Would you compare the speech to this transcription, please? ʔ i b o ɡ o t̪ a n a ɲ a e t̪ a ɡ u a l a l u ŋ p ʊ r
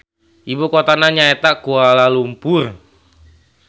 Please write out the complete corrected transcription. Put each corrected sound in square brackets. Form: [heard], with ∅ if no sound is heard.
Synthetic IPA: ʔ i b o [k] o t̪ a n a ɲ a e t̪ a [k] u a l a l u [m] p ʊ r